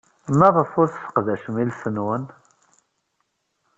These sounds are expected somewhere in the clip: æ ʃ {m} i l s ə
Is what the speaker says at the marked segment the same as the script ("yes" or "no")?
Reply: yes